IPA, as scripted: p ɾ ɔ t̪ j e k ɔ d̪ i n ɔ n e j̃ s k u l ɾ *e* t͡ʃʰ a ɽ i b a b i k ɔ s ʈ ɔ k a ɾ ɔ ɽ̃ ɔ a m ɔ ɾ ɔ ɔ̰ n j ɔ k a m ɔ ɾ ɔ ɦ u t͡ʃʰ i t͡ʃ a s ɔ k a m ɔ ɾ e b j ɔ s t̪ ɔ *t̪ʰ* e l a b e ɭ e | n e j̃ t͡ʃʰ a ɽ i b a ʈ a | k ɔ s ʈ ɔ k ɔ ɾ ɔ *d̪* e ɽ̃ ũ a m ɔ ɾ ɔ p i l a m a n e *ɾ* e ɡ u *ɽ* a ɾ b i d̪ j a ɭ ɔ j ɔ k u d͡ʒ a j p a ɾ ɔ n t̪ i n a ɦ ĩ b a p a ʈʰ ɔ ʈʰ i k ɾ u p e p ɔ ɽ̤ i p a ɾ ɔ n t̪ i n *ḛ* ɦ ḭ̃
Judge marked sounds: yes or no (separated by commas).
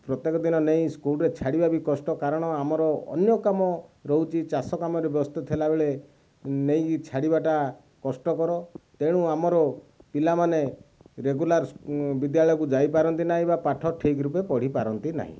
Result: yes, yes, no, yes, no, no